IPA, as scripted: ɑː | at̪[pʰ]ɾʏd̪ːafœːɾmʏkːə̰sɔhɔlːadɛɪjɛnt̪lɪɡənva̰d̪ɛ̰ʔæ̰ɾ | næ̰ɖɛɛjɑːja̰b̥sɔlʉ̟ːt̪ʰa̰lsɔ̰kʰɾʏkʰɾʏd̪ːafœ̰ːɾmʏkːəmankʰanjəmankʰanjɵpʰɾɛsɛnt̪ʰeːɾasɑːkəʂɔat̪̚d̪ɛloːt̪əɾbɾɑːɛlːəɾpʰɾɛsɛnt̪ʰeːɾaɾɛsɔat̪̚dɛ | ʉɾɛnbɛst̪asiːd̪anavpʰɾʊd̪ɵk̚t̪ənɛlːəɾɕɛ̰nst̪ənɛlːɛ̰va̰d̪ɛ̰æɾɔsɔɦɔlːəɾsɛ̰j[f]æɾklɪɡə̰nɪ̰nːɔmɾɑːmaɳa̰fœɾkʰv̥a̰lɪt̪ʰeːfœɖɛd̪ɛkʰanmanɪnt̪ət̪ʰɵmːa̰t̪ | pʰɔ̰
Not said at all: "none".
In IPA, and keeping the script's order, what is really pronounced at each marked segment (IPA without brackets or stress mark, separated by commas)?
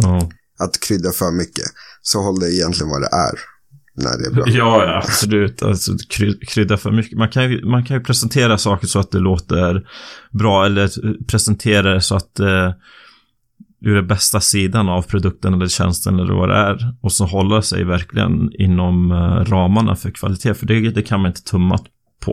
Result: kʰ, v